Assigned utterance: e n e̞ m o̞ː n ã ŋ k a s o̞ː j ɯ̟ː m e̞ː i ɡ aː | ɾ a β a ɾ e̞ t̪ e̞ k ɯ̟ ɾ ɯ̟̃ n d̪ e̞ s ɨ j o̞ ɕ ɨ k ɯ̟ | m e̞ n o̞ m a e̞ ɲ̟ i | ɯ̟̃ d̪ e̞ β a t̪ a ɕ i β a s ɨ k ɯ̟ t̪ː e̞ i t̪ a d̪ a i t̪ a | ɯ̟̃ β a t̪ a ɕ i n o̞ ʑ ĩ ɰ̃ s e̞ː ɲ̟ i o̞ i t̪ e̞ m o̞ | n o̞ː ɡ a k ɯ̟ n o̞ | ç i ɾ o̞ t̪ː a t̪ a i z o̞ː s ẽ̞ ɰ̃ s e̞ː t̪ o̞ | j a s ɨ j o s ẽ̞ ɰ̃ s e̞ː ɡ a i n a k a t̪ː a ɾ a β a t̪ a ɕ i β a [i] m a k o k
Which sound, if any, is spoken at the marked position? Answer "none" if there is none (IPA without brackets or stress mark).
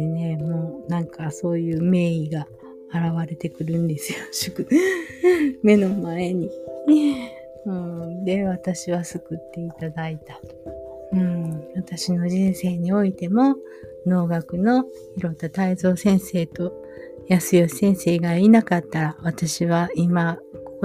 i